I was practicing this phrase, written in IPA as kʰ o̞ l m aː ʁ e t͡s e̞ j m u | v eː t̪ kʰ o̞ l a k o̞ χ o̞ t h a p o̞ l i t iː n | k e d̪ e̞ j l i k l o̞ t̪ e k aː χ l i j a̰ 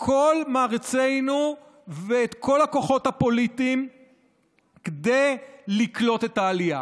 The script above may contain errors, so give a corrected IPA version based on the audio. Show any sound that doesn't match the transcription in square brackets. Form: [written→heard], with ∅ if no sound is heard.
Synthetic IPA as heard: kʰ o̞ l m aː ʁ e t͡s e̞ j [m→n] u | v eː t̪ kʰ o̞ l a k o̞ χ o̞ t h a p o̞ l i t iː [n→m] | k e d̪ e̞ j l i k l o̞ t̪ e [k→t] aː [χ→∅] l i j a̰